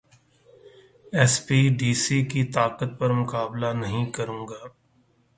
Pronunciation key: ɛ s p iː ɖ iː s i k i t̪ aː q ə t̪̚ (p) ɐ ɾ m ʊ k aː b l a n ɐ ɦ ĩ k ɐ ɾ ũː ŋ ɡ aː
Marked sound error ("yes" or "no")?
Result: no